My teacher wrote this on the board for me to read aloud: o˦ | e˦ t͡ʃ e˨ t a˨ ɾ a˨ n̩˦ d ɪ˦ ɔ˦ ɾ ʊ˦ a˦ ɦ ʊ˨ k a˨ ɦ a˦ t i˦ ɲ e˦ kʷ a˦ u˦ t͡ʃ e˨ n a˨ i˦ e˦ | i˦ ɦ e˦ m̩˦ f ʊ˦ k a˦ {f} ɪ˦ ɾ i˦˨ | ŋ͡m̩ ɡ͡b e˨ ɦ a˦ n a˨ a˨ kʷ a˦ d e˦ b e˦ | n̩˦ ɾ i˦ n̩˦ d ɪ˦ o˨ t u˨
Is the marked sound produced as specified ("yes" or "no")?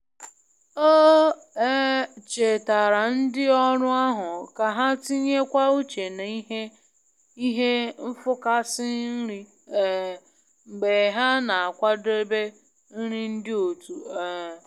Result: no